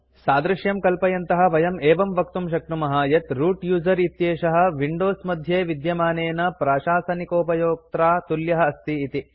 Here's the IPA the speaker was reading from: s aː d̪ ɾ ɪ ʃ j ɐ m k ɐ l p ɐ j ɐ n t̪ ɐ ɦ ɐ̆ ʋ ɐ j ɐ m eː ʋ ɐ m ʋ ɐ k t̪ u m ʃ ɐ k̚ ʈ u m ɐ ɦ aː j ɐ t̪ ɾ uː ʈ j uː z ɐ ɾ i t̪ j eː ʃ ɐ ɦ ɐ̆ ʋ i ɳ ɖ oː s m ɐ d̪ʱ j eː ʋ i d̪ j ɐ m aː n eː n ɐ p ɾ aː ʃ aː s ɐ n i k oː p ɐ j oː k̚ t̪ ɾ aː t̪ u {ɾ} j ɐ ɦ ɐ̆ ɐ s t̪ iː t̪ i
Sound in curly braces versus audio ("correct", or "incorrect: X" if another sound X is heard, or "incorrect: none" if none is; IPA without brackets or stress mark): incorrect: l